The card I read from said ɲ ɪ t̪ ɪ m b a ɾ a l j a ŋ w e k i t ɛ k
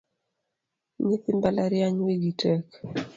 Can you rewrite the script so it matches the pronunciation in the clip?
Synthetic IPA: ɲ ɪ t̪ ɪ m b a l a ɾ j a ɲ w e ɡ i t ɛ k

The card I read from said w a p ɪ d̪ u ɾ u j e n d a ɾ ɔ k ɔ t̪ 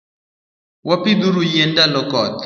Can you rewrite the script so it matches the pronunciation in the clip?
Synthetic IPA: w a p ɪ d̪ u ɾ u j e n d a l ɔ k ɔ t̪

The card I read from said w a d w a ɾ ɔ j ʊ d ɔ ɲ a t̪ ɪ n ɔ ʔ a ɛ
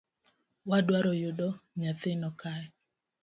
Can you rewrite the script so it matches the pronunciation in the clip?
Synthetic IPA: w a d w a ɾ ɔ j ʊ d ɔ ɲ a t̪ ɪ n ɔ k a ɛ

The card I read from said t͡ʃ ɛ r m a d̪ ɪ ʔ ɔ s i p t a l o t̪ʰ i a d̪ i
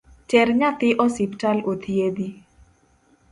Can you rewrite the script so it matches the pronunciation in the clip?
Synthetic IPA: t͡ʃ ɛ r ɲ a t̪ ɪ ʔ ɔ s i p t a l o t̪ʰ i e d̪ i

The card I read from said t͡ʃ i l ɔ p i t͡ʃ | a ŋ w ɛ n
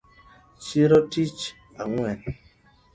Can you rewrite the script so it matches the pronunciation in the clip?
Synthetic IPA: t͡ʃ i ɾ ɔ t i t͡ʃ | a ŋ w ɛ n

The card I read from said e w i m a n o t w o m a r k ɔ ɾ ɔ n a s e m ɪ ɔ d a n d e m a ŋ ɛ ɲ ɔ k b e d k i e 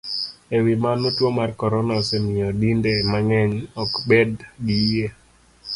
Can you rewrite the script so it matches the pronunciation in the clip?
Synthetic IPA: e w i m a n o t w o m a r k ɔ ɾ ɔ n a s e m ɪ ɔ d i n d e m a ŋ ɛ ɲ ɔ k b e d ɡ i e

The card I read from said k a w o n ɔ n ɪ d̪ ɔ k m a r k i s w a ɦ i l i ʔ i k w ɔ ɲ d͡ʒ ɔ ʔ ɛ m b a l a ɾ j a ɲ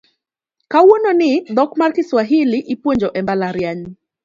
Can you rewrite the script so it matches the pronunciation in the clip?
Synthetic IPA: k a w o n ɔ n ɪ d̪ ɔ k m a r k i s w a ɦ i l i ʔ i p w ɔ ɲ d͡ʒ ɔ ʔ ɛ m b a l a ɾ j a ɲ

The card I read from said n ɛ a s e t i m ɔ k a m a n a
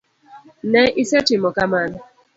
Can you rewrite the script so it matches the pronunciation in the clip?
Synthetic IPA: n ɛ i s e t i m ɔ k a m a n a

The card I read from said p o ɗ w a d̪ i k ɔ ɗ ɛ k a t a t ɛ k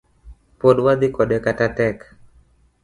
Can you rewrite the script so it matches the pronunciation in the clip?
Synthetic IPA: p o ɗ w a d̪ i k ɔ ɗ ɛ k a t a t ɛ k

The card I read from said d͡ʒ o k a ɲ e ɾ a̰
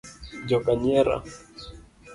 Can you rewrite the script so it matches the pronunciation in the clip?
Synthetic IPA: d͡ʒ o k a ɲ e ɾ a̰

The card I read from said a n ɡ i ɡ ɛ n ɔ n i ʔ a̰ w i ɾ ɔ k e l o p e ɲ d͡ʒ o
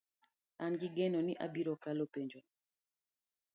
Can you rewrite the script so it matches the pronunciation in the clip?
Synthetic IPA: a n ɡ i ɡ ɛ n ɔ n i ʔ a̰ b i ɾ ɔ k a l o p e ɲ d͡ʒ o

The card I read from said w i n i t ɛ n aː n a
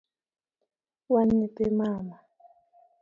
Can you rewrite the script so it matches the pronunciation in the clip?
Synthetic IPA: w a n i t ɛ m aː m a

